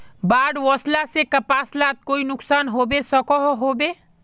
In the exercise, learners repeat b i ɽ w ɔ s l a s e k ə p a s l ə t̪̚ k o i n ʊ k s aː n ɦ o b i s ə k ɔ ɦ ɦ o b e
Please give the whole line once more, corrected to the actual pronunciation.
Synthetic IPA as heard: b a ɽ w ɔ s l a s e k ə p a s l a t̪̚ k o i n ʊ k s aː n ɦ o b e s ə k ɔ ɦ ɦ o b e